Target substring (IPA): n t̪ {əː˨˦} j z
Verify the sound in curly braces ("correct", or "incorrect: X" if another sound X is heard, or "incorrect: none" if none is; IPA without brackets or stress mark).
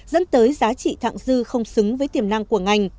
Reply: correct